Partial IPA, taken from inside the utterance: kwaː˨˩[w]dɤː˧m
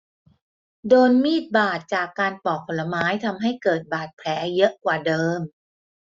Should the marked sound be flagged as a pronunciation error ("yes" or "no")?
yes